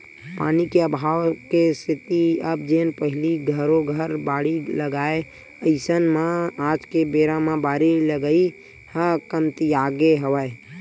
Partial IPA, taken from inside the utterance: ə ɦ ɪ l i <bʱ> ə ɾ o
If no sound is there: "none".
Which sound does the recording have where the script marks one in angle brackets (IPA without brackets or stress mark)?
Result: ɡʱ